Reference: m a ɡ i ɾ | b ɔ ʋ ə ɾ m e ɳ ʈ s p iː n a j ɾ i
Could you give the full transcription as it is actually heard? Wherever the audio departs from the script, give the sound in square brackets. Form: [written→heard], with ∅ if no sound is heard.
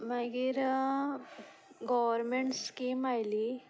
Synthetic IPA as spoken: m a ɡ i ɾ | [b→ɡ] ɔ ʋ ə ɾ m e ɳ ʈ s [p→k] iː [n→m] a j [ɾ→l] i